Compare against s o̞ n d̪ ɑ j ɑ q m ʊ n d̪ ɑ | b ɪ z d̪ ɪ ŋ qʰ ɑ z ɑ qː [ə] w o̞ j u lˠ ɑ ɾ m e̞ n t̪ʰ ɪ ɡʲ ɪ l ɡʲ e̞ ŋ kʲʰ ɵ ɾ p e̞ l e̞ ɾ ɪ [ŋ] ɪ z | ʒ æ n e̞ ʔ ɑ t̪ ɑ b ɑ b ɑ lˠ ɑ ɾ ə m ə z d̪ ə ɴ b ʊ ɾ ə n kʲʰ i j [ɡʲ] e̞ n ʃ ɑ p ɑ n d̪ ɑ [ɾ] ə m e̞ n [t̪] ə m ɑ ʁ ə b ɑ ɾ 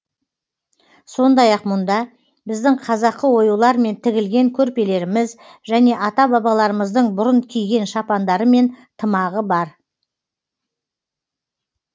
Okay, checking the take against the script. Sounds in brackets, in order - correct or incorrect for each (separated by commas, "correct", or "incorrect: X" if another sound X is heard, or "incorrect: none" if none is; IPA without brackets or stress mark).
correct, incorrect: m, correct, correct, incorrect: t̪ʰ